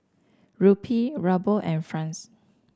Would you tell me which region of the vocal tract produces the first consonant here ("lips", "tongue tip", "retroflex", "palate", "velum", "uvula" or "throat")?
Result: tongue tip